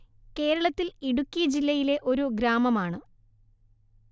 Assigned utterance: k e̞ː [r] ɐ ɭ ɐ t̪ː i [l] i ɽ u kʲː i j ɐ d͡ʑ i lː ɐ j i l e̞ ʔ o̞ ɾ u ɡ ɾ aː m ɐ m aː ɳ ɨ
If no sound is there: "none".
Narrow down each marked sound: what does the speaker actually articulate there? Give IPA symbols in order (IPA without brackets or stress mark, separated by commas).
ɾ, l